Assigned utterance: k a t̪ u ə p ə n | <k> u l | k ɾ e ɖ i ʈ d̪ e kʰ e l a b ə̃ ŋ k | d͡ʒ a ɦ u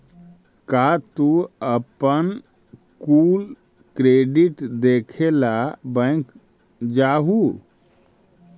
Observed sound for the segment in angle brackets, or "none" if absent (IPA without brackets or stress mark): k